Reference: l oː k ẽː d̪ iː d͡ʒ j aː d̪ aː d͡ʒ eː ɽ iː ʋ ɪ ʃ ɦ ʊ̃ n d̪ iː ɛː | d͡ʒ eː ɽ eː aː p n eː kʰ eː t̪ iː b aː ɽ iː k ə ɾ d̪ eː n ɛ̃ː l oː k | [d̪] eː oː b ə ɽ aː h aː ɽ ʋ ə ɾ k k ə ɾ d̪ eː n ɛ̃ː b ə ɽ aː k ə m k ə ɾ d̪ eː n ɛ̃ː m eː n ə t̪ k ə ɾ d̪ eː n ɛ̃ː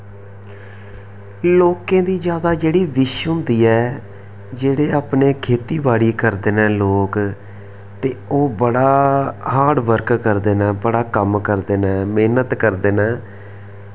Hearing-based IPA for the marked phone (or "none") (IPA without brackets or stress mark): t̪